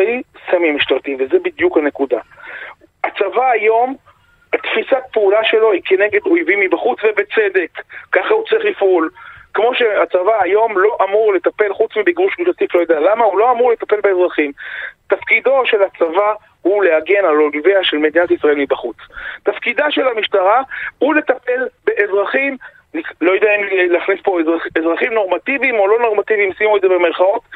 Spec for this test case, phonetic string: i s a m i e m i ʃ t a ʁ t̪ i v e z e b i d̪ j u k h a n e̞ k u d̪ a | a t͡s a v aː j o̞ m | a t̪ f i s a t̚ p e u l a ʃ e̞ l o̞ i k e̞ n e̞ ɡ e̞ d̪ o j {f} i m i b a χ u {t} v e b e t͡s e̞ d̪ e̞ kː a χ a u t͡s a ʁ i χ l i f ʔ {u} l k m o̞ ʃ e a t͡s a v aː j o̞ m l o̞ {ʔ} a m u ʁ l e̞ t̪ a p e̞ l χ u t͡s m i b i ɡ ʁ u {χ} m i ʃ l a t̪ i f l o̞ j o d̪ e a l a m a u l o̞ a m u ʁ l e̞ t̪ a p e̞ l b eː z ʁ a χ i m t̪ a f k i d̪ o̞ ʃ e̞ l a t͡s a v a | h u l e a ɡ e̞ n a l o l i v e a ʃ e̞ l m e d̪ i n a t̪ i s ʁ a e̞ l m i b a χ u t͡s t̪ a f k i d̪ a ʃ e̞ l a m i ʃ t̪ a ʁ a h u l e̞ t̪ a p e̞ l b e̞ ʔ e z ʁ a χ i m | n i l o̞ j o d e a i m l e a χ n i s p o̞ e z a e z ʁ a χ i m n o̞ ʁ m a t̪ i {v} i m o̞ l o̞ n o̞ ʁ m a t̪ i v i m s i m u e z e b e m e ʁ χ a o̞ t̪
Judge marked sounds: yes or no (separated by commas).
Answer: no, no, yes, yes, no, yes